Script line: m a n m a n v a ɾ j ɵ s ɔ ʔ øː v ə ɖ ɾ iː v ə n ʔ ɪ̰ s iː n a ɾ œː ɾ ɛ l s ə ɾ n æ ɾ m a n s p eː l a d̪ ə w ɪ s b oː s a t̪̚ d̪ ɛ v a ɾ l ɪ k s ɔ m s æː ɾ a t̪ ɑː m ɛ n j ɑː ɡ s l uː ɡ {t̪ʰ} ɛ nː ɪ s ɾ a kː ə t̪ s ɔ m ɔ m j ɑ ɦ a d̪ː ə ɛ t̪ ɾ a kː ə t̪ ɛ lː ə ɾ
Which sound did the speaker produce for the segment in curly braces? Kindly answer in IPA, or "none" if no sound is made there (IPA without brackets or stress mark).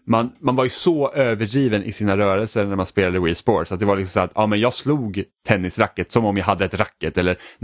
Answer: t̪ʰ